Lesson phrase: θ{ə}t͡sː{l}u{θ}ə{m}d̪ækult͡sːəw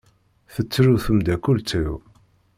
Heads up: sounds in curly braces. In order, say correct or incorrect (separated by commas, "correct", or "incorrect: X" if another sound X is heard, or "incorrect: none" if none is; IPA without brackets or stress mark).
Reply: correct, incorrect: ɾ, correct, correct